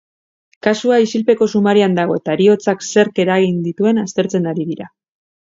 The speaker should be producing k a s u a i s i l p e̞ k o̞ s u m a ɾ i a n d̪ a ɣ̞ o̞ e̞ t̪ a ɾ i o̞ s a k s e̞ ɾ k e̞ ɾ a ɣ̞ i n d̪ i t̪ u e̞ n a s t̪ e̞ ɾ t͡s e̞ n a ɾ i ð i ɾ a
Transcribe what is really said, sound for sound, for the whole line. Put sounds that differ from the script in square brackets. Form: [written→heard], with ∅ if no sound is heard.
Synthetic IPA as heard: k a s u a i s i l p e̞ k o̞ s u m a ɾ i a n d̪ a ɣ̞ o̞ e̞ t̪ a ɾ i o̞ [s→t͡s] a k s e̞ ɾ k e̞ ɾ a ɣ̞ i n d̪ i t̪ u e̞ n a s t̪ e̞ ɾ t͡s e̞ n a ɾ i ð i ɾ a